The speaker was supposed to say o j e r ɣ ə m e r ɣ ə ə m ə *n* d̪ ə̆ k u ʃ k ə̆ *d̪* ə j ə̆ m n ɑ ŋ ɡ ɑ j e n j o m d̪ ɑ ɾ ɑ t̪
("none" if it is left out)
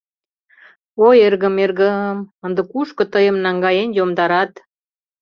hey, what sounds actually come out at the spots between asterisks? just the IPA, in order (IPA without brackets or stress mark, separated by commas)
n, t̪